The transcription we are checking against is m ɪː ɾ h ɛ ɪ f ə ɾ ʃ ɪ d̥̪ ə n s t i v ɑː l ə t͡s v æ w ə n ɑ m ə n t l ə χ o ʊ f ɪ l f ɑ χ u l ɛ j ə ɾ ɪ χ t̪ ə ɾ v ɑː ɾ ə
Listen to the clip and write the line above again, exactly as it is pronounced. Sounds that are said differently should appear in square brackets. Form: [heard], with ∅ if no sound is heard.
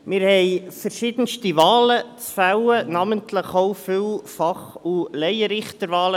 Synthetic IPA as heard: m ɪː ɾ h ɛ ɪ f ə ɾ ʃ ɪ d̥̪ ə n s t i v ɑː l ə t͡s [f] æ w ə n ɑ m ə n t l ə χ o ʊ f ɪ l f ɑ χ u l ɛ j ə ɾ ɪ χ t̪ ə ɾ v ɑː [l] ə